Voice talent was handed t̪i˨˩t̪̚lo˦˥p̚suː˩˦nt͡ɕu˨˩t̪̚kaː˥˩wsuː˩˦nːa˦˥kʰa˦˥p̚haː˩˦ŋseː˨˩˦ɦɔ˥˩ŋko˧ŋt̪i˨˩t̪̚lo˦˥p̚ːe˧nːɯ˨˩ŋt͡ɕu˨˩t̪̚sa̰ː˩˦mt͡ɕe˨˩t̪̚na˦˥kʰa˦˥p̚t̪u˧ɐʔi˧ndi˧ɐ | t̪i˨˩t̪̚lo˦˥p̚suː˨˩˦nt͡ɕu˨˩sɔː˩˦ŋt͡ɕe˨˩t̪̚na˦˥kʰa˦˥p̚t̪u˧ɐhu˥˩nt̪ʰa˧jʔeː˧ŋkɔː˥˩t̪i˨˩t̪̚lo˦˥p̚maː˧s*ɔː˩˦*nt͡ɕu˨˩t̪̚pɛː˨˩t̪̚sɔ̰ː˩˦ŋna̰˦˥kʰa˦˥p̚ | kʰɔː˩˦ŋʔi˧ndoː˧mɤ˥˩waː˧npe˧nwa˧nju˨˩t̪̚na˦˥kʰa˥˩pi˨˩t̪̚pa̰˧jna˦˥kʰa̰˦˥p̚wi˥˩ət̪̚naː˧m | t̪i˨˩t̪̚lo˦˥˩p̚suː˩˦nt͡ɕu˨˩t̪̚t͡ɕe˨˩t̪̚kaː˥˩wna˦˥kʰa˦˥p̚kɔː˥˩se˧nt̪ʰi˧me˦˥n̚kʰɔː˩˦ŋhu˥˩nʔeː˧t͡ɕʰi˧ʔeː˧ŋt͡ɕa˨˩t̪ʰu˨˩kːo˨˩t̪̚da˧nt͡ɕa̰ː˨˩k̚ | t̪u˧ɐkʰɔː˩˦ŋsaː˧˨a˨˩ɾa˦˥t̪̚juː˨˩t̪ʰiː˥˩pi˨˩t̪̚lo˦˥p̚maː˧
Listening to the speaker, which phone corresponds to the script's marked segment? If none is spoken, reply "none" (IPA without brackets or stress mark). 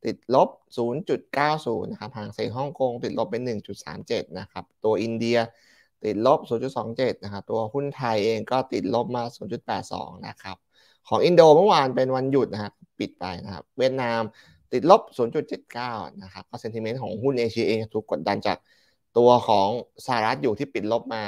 uː˩˦